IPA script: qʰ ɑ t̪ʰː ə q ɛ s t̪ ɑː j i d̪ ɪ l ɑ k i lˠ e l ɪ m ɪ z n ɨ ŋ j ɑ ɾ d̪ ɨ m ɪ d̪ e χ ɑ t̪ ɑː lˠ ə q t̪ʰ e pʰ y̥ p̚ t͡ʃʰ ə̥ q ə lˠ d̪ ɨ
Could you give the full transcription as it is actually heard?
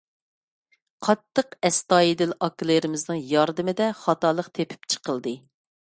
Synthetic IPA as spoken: qʰ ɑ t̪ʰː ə q ɛ s t̪ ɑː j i d̪ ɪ l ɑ k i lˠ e ɾ ɪ m ɪ z n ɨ ŋ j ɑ ɾ d̪ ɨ m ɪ d̪ ɛ χ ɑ t̪ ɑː lˠ ə q t̪ʰ e pʰ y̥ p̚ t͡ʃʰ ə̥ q ə lˠ d̪ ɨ